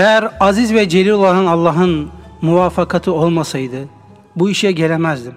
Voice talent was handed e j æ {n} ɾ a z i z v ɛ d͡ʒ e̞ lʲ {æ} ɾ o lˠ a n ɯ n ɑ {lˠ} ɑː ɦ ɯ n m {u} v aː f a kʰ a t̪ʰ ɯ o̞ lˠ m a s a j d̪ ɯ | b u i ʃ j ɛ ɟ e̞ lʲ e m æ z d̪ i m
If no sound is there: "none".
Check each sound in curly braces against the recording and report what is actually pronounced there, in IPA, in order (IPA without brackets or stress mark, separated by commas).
none, i, lˠː, u